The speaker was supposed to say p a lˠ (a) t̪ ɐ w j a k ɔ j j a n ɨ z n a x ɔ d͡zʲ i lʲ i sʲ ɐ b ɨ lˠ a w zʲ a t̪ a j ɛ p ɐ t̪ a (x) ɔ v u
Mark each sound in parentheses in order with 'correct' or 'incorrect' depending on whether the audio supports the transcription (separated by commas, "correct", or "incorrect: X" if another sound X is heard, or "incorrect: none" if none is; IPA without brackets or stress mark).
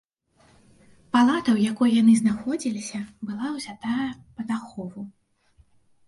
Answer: correct, correct